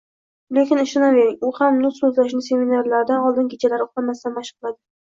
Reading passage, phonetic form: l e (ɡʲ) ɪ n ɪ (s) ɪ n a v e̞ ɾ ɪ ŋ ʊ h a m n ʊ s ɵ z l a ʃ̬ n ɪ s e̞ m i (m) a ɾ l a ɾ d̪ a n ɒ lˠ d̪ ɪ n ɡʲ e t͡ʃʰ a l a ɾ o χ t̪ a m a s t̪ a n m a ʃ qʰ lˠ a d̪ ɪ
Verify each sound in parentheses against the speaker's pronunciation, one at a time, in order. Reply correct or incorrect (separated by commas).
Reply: incorrect, incorrect, incorrect